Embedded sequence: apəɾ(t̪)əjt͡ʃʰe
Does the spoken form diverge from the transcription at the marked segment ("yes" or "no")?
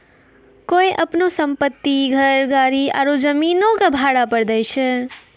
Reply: yes